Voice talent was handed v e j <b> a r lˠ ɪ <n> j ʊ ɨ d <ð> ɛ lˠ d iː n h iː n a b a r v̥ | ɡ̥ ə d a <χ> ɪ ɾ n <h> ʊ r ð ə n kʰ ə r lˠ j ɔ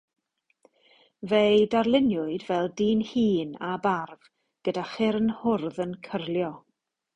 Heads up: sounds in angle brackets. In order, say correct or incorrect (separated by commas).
incorrect, correct, incorrect, correct, correct